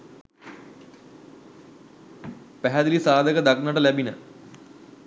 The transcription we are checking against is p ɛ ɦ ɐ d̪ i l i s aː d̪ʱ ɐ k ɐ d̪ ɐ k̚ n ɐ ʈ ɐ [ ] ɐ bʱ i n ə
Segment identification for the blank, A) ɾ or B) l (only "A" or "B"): B